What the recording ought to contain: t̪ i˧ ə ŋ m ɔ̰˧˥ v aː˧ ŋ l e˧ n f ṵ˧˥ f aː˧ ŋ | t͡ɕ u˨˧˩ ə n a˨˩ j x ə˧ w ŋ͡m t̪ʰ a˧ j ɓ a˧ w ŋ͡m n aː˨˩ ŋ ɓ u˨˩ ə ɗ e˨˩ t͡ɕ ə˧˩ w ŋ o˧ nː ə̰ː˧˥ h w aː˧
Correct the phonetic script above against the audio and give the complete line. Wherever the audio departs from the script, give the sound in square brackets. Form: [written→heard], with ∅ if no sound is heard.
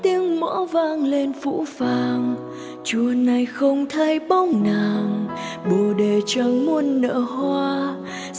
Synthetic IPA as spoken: t̪ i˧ ə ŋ m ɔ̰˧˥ v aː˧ ŋ l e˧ n f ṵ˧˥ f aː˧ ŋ | t͡ɕ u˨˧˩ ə n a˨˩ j x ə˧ w ŋ͡m t̪ʰ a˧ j ɓ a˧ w ŋ͡m n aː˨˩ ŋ ɓ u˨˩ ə ɗ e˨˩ t͡ɕ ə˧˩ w [ŋ→m] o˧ nː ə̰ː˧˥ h w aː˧